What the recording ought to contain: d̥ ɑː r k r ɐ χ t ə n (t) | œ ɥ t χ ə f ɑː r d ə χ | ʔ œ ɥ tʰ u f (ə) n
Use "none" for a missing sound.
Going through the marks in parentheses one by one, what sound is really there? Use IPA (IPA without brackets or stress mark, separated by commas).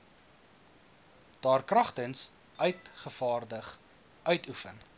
s, ə